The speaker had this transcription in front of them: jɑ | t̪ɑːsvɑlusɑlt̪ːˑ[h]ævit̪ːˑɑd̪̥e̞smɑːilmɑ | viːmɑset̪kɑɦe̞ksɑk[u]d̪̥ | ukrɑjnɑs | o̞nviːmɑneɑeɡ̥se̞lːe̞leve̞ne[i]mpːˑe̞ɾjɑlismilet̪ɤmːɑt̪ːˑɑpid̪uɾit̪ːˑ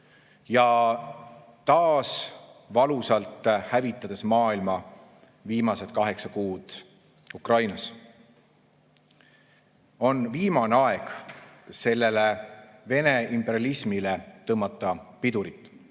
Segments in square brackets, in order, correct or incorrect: correct, incorrect: uː, correct

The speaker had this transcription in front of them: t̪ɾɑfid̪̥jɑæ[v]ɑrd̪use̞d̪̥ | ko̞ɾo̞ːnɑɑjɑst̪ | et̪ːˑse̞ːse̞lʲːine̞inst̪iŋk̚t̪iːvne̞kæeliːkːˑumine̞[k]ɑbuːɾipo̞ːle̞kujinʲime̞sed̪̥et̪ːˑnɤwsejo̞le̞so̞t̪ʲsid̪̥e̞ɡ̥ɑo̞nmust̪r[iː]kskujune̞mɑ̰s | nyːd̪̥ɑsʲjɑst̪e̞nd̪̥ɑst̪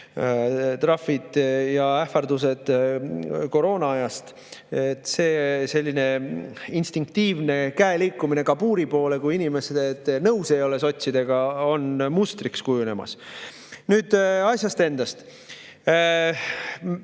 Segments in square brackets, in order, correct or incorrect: incorrect: f, correct, incorrect: i

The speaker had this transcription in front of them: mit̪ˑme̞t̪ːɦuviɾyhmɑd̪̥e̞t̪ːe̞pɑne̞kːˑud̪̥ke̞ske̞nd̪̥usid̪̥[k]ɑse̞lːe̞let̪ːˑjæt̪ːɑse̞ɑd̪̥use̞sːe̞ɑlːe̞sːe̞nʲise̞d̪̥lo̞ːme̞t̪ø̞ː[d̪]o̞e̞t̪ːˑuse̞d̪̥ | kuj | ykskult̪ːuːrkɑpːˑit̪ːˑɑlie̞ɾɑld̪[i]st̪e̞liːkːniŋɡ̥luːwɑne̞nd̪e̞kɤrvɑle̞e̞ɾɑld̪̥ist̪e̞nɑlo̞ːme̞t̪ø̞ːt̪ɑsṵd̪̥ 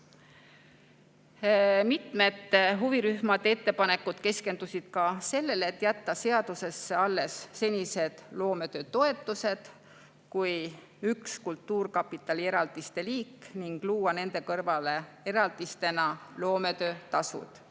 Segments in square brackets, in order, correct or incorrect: correct, incorrect: t̪, correct

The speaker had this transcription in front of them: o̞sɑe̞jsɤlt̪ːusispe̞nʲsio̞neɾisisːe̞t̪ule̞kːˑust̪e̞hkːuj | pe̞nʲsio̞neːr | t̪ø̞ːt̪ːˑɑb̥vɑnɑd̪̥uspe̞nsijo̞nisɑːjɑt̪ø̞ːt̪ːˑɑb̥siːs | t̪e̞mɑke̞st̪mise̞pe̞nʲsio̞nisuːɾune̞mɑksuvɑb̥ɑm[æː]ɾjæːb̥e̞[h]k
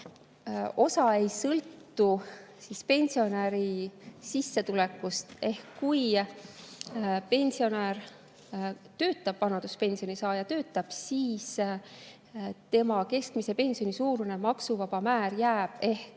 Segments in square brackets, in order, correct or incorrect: correct, correct

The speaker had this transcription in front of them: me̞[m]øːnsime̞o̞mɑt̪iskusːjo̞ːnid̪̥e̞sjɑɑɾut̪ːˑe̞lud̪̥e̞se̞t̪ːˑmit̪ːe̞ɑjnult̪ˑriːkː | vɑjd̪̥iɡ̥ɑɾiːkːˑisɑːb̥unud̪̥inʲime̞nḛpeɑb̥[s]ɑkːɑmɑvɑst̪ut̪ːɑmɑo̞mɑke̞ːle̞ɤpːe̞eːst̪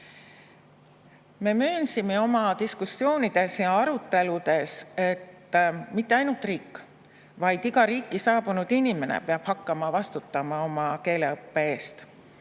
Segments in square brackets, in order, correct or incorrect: correct, incorrect: h

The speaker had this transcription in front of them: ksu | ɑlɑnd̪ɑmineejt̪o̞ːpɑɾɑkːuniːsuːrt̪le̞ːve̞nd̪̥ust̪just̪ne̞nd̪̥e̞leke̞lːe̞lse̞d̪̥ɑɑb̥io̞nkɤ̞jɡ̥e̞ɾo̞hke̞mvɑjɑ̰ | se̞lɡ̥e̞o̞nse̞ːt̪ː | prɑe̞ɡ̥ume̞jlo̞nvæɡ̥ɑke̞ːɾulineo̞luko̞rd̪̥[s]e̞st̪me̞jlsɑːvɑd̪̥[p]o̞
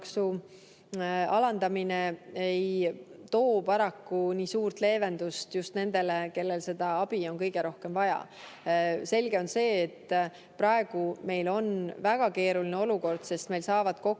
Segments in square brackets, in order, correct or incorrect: correct, incorrect: k

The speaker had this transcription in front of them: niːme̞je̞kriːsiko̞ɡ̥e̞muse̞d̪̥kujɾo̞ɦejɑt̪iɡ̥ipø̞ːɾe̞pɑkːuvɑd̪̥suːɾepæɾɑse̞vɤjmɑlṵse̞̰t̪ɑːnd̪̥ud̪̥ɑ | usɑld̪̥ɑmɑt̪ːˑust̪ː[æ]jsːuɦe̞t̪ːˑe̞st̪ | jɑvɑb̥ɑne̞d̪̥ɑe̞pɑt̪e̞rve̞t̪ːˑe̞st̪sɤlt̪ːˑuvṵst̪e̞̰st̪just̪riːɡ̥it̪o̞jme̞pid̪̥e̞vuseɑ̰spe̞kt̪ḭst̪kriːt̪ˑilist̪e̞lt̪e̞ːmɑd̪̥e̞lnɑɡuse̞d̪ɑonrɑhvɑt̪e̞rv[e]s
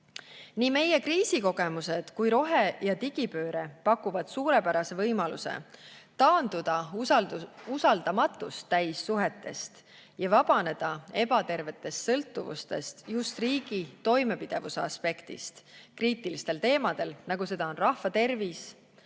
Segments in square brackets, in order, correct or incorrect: correct, incorrect: i

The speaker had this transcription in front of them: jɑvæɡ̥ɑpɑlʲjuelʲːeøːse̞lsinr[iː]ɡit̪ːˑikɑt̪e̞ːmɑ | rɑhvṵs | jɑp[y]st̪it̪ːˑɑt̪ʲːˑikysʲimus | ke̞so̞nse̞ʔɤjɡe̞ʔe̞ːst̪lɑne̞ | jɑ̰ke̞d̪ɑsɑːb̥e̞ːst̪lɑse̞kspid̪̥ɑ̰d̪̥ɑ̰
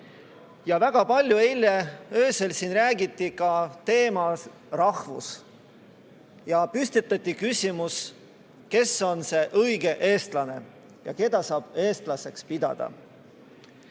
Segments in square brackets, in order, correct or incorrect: incorrect: æː, correct

